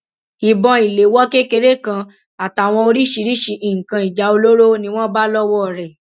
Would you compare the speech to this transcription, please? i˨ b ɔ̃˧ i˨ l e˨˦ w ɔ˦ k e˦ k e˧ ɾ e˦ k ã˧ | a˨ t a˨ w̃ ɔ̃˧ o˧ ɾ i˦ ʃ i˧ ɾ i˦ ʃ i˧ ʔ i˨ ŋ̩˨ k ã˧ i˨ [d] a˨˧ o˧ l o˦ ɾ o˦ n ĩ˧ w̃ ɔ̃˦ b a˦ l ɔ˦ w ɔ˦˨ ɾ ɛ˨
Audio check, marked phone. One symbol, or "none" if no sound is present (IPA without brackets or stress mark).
d͡ʒ